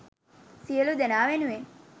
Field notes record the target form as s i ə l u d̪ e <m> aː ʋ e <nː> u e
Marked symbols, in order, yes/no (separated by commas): no, no